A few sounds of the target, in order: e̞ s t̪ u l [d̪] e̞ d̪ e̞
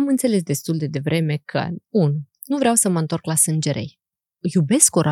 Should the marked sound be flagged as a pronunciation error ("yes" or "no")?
no